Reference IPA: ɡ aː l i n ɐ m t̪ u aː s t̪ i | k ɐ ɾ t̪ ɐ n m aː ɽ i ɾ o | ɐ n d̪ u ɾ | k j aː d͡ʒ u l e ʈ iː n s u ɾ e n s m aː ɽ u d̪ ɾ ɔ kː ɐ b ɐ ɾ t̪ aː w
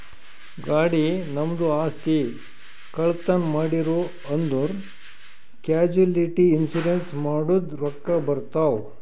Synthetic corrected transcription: ɡ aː ɽ i n ɐ m d̪ u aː s t̪ i | k ɐ ɭ t̪ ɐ n m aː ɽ i ɾ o | ɐ n d̪ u ɾ | k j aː d͡ʒ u l i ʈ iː n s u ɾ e n s m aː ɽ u d̪ ɾ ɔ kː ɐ b ɐ ɾ t̪ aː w